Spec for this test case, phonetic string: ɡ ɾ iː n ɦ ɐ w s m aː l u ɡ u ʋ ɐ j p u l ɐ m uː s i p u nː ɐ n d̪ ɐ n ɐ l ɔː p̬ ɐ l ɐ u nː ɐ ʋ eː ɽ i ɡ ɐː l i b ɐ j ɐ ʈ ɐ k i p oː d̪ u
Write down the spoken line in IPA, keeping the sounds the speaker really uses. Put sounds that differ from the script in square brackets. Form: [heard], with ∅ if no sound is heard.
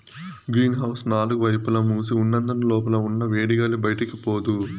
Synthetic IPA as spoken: ɡ ɾ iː n ɦ ɐ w s [n] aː l u ɡ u ʋ ɐ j p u l ɐ m uː s i [∅] u nː ɐ n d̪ ɐ n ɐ l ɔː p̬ ɐ l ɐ u nː ɐ ʋ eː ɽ i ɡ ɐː l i b ɐ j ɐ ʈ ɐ k i p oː d̪ u